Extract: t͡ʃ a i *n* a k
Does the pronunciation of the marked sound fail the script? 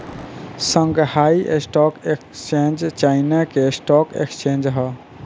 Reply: no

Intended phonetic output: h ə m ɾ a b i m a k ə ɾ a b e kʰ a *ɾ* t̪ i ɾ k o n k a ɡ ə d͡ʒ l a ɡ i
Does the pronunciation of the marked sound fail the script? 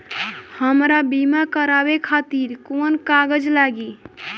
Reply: yes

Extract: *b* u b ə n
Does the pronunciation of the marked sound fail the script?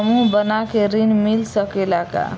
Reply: yes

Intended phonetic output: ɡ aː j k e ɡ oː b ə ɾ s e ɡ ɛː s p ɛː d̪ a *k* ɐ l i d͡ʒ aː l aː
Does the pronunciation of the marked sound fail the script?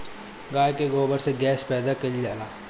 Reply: no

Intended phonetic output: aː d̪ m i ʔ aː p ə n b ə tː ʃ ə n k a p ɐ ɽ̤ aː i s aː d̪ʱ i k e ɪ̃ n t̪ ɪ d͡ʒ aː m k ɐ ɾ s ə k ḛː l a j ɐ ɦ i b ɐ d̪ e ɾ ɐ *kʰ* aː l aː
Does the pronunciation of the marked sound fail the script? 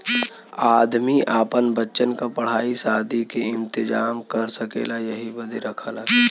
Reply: no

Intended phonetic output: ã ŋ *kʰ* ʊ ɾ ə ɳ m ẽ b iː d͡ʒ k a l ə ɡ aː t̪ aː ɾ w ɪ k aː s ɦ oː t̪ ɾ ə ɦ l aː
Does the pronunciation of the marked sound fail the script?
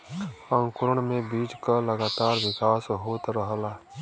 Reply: yes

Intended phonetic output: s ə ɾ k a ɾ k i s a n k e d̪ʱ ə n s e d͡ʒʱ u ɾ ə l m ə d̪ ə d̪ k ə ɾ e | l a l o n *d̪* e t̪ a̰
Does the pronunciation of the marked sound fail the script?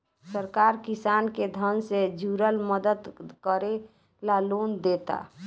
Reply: no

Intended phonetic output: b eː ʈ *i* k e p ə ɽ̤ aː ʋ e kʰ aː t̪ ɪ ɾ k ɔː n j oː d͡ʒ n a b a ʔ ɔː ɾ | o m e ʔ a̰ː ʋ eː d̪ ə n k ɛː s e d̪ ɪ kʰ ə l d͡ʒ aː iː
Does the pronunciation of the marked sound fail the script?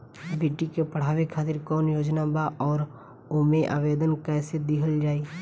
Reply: no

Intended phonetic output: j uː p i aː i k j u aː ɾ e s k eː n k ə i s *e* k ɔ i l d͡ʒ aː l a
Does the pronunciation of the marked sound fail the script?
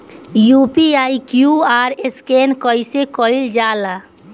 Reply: no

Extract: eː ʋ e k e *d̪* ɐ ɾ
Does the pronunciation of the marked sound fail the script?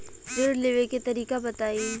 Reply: yes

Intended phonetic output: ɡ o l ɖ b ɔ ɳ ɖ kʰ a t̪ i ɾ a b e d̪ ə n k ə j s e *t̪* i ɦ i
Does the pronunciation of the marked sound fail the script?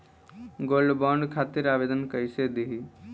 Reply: yes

